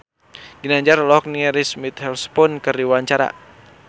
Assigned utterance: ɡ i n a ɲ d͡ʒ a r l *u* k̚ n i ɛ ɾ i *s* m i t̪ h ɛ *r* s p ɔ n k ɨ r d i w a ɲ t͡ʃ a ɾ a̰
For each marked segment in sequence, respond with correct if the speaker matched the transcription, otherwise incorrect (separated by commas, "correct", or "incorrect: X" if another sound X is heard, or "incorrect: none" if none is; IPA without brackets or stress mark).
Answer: incorrect: ɔ, correct, incorrect: l